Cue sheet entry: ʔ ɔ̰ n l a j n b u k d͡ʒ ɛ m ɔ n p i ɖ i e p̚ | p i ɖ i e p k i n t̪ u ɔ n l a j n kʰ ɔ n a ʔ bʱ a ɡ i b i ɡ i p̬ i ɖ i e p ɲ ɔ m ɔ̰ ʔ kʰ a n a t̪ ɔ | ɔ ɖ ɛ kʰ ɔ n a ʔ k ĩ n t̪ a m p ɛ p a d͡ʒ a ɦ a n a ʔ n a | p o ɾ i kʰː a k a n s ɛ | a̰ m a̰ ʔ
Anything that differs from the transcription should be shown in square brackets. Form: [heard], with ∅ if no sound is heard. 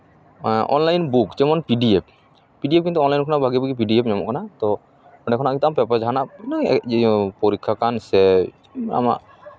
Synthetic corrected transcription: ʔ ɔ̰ n l a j n b u k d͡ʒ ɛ m ɔ n p i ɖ i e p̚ | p i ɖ i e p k i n t̪ u ɔ n l a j n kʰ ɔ n a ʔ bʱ a ɡ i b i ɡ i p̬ i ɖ i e p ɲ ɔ m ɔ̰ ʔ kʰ a n a t̪ ɔ | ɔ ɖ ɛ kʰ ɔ n a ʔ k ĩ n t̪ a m p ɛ p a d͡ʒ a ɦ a n a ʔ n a | p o ɾ i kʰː a k a n s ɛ | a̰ m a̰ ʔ